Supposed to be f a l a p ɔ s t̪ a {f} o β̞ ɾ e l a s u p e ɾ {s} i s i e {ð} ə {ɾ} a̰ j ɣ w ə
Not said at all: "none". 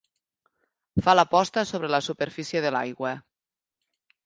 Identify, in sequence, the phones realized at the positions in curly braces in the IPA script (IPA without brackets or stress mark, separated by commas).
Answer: s, f, ð, l